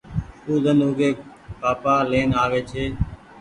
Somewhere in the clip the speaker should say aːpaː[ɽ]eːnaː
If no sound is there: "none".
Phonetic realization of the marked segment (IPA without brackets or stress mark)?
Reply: l